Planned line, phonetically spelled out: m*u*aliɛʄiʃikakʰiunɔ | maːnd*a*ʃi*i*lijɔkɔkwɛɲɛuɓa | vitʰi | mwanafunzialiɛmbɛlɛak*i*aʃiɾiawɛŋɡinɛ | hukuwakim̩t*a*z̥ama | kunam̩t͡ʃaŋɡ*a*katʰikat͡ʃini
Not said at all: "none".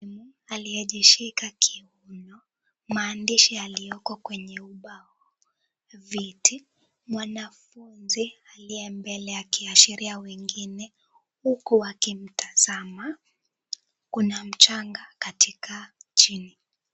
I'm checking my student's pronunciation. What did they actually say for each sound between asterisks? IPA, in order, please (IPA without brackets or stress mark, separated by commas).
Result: u, i, a, i, a, a